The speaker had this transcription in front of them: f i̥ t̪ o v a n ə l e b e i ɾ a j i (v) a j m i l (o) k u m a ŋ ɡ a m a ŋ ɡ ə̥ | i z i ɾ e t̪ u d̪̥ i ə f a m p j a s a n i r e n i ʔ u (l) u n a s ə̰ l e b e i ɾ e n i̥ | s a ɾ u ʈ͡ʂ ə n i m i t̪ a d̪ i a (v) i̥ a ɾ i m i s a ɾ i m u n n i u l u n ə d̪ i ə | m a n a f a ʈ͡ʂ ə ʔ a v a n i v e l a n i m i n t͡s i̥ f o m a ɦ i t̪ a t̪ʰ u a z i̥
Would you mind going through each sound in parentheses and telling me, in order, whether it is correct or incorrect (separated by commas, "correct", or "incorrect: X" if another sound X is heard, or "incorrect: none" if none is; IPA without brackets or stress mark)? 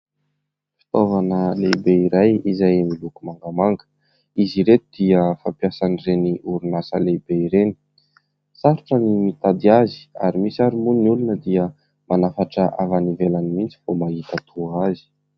incorrect: z, incorrect: u, incorrect: ɾ, incorrect: z